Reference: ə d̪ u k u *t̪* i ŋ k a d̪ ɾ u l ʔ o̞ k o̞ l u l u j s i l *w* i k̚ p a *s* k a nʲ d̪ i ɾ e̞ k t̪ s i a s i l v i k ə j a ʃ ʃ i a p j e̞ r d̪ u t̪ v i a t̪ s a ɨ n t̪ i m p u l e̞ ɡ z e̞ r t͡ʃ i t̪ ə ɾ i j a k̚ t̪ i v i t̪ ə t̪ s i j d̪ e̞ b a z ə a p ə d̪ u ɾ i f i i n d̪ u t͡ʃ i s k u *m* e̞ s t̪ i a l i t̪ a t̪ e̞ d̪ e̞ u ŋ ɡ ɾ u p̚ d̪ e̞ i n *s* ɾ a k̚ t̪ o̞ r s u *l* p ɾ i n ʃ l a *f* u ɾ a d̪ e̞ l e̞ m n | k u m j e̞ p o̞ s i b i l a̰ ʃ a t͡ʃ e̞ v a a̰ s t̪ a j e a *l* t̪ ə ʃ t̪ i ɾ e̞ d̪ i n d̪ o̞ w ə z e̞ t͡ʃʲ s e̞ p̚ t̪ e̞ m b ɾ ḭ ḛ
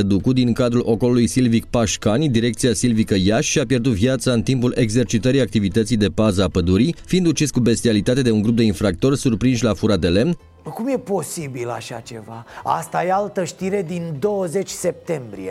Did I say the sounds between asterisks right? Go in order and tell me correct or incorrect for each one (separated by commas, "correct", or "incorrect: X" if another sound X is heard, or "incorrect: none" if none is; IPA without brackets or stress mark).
incorrect: d̪, incorrect: v, incorrect: ʃ, incorrect: b, incorrect: f, incorrect: r, correct, correct